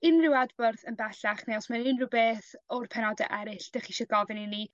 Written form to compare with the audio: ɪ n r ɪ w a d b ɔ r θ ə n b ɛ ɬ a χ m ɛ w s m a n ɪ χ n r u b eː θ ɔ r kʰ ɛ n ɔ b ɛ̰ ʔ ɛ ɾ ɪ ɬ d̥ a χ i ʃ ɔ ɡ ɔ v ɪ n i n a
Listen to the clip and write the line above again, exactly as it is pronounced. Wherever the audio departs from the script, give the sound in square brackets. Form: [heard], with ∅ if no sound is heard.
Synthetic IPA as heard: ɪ n r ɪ w a d b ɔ r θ ə n b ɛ ɬ a χ [n] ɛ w s m a n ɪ [∅] n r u b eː θ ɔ r [pʰ] ɛ n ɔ [d] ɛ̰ ʔ ɛ ɾ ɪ ɬ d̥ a χ i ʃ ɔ ɡ ɔ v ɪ n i n [i]